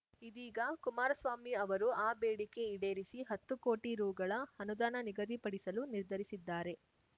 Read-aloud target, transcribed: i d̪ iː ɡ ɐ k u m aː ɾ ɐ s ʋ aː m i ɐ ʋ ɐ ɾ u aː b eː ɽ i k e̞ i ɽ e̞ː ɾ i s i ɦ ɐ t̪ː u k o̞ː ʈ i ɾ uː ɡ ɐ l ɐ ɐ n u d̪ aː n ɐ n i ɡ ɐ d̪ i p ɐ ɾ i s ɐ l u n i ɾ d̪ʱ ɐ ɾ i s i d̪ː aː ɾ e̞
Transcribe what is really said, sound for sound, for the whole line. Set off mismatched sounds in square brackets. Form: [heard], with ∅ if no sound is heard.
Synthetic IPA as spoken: i d̪ iː ɡ ɐ k u m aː ɾ ɐ s ʋ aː m i ɐ ʋ ɐ ɾ u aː b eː ɽ i k e̞ i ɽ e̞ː ɾ i s i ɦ ɐ t̪ː u k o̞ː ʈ i ɾ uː ɡ ɐ [ɭ] ɐ ɐ n u d̪ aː n ɐ n i ɡ ɐ d̪ i p ɐ [ɽ] i s ɐ l u n i ɾ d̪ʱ ɐ ɾ i s i d̪ː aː ɾ e̞